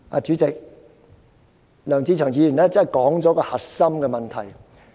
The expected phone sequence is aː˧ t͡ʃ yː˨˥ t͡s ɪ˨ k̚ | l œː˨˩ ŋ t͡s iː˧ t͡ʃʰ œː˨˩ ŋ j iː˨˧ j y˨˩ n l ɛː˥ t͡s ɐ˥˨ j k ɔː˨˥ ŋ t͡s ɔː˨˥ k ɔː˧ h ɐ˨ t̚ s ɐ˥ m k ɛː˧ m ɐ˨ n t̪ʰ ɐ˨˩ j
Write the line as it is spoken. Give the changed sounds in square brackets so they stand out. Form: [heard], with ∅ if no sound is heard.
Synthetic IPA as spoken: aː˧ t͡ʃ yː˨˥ t͡s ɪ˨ k̚ | l œː˨˩ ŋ t͡s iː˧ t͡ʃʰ œː˨˩ ŋ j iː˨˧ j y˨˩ n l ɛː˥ t͡s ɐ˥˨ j k ɔː˨˥ ŋ t͡s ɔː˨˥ k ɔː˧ h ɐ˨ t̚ s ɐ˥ m k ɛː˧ m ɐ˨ n t̪ʰ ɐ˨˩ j